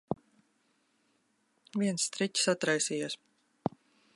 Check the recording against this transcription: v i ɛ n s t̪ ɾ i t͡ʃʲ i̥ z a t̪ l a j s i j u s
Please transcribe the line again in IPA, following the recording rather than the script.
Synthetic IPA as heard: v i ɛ n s t̪ ɾ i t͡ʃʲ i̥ s a t̪ ɾ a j s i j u s

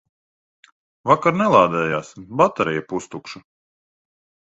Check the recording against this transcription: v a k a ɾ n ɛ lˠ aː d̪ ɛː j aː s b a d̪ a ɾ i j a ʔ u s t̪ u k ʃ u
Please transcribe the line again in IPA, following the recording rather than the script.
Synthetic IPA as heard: v a k a ɾ n ɛ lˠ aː d̪ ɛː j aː s b a t̪ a ɾ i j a p u s t̪ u k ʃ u

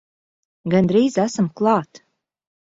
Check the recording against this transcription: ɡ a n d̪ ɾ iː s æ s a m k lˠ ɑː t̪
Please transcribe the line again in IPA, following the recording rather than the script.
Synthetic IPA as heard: ɡ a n d̪ ɾ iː z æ s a m k lˠ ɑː t̪

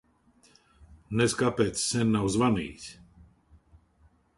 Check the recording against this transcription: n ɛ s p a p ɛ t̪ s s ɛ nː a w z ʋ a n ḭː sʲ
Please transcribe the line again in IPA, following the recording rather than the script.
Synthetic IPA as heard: n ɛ s k a p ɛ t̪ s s ɛ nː a w z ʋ a n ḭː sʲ

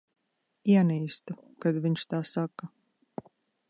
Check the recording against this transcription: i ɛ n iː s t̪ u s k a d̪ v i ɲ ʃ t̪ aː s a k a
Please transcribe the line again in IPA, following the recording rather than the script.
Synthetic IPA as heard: i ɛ n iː s t̪ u k a d̪ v i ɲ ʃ t̪ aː s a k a

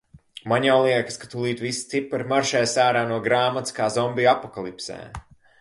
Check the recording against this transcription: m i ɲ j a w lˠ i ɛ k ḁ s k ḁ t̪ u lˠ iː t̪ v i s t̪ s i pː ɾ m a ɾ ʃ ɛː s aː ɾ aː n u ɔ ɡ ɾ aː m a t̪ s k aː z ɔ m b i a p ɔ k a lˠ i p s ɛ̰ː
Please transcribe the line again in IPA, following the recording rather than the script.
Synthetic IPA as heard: m a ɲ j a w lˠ i ɛ k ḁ s k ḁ t̪ u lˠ iː t̪ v i s t̪ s i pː ɾ m a ɾ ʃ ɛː s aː ɾ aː n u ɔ ɡ ɾ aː m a t̪ s k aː z ɔ m b i a p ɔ k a lˠ i p s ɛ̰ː

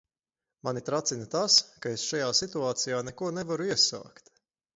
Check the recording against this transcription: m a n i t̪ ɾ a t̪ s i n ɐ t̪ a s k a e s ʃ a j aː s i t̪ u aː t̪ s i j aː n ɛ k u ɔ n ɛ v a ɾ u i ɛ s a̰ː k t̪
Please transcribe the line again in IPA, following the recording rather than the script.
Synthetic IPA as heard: m a n i t̪ ɾ a t̪ s i n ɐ t̪ a s k a e s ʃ a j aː s i t̪ u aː t̪ s i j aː n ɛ k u ɔ n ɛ v a ɾ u i ɛ s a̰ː k t̪

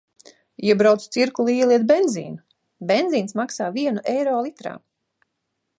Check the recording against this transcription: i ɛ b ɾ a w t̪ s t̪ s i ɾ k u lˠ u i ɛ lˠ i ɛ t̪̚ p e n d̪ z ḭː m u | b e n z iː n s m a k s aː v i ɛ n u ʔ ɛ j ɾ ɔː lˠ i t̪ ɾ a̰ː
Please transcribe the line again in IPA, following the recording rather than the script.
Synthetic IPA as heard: i ɛ b ɾ a w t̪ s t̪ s i ɾ k u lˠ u i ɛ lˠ i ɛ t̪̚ b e n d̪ z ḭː n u | b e n z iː n s m a k s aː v i ɛ n u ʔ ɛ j ɾ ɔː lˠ i t̪ ɾ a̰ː

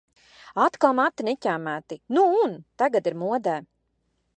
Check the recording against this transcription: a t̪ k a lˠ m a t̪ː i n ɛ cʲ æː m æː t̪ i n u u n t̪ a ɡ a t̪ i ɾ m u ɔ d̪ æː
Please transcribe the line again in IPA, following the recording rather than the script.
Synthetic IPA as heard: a t̪ k a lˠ m a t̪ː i n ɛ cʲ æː m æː t̪ i n u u n t̪ a ɡ a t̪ i ɾ m u ɔ d̪ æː

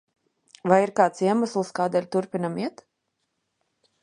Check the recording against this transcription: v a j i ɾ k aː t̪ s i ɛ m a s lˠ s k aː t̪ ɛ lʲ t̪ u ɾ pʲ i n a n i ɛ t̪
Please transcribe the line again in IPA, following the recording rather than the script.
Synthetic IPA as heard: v a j i ɾ k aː t̪ s i ɛ m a s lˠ s k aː d̪ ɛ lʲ t̪ u ɾ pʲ i n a m i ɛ t̪

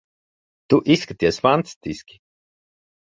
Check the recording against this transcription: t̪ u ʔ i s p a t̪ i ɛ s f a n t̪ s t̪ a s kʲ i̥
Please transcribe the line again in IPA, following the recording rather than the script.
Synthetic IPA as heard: t̪ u ʔ i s k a t̪ i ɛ s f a n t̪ s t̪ i s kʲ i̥

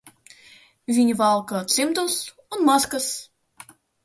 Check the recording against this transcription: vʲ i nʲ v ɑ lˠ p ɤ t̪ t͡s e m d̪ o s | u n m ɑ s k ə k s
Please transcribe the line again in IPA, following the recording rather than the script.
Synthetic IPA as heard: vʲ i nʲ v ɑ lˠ k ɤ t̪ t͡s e m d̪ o s | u n m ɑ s k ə s

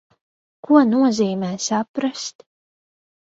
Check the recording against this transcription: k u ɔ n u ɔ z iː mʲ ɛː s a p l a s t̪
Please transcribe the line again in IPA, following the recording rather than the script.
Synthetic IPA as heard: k u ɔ n u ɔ z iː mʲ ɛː s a p ɾ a s t̪

